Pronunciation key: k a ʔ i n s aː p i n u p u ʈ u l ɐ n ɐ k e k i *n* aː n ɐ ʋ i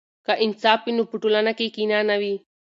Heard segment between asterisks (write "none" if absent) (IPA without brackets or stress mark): n